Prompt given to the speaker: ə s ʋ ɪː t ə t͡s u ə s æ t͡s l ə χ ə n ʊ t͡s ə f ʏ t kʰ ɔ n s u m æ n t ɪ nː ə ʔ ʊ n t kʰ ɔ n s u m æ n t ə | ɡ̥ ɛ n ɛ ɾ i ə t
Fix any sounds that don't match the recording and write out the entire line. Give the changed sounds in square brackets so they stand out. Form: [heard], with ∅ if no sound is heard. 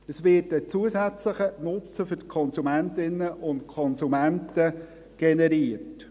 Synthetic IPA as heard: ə s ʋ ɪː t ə t͡s u ə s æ t͡s l ə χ ə n ʊ t͡s ə f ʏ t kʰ ɔ n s u m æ n t ɪ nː ə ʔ ʊ n t kʰ ɔ n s u m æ n t ə | ɡ̥ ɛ n ɛ ɾ i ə t